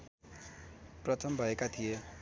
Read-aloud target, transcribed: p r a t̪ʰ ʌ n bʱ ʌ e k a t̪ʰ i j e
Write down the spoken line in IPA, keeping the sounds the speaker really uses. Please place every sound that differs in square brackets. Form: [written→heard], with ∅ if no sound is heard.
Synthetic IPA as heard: p r [a→ʌ] t̪ʰ ʌ [n→m] bʱ ʌ e k a t̪ʰ i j e